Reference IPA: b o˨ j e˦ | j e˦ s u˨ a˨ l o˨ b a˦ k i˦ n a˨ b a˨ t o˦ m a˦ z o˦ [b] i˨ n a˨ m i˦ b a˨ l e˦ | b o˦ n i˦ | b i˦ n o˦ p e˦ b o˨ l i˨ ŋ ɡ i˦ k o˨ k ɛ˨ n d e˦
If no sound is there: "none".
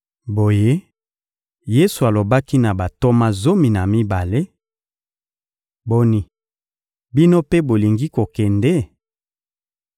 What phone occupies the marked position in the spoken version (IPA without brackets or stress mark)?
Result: m